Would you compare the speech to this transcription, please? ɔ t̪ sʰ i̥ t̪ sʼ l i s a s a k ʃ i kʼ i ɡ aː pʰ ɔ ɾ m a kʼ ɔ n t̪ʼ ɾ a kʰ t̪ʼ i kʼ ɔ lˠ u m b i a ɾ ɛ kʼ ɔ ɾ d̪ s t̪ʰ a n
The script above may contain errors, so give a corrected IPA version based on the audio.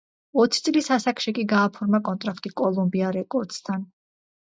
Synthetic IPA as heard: ɔ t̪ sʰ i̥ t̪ sʼ l i s a s a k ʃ i kʼ i ɡ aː pʰ ɔ ɾ m a kʼ ɔ n t̪ʼ ɾ a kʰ t̪ʼ i kʼ ɔ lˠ u m b i a ɾ ɛ kʼ ɔ ɾ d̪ s t̪ʰ a n